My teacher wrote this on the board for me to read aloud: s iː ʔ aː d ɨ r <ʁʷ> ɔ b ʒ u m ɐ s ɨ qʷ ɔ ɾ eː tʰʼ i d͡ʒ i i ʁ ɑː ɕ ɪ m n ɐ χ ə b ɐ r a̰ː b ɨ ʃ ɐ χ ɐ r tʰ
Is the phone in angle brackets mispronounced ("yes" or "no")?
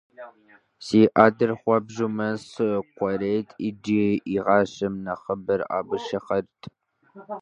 yes